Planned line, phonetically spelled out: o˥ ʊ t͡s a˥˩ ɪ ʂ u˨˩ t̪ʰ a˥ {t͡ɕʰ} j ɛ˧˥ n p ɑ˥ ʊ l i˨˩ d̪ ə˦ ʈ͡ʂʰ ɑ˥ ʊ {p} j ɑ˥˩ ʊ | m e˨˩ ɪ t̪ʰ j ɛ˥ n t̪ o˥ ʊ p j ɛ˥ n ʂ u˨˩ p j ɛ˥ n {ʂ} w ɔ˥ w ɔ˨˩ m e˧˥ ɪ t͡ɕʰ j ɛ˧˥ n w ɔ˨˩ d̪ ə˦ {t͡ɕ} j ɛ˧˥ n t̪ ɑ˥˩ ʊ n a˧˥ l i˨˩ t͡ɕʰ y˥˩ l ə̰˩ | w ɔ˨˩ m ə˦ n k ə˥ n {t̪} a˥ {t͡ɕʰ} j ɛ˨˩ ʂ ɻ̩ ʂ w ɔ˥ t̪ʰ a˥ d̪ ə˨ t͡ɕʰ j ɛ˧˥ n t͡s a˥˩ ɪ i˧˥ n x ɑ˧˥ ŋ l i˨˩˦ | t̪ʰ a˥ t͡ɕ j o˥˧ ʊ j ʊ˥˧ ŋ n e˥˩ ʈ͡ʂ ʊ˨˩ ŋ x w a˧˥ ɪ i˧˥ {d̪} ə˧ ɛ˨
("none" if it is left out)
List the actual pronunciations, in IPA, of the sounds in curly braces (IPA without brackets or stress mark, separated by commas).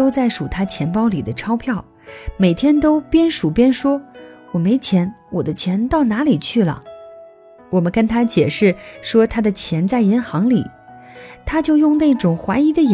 t͡ɕʰ, pʰ, ʂ, t͡ɕʰ, t̪ʰ, t͡ɕ, d̪